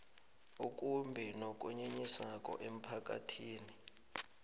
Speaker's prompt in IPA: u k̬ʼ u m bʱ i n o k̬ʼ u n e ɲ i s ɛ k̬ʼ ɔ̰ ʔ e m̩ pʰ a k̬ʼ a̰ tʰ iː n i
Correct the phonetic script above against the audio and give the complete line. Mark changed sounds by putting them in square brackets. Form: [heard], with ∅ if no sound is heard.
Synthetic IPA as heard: u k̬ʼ u m bʱ i n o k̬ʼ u [ɲ] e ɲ i s [a] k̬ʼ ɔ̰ ʔ e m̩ pʰ a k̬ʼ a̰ tʰ iː n i